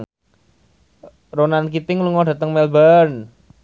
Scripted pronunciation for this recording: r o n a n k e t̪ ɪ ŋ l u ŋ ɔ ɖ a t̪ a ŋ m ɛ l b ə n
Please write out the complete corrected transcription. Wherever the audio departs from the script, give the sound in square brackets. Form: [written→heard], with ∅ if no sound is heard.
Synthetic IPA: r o n a n k [e→i] t̪ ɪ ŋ l u ŋ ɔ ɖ a t̪ [a→ə] ŋ m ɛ l b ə n